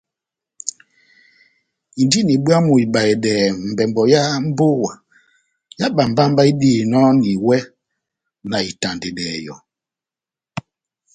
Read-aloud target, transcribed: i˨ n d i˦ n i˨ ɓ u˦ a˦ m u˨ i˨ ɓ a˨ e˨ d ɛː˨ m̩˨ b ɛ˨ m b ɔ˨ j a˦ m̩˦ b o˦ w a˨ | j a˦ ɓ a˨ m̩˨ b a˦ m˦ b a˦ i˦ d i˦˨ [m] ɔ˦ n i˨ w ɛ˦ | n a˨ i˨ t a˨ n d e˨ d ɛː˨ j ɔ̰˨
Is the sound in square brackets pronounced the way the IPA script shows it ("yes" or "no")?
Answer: no